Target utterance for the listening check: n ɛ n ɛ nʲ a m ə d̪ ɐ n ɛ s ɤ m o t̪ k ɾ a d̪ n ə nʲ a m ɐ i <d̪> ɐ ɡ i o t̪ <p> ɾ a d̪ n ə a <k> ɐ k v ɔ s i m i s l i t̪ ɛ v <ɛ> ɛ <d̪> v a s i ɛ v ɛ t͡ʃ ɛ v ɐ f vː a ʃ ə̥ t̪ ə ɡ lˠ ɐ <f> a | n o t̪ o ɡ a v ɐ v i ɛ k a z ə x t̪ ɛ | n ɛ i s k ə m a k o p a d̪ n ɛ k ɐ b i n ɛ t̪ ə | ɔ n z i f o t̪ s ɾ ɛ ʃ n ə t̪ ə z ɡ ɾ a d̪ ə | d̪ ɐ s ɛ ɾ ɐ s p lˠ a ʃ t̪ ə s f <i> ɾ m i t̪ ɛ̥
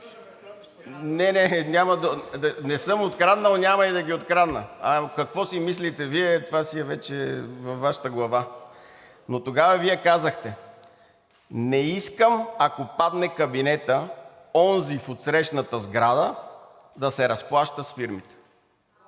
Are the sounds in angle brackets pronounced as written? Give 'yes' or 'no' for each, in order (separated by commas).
yes, no, yes, no, no, no, yes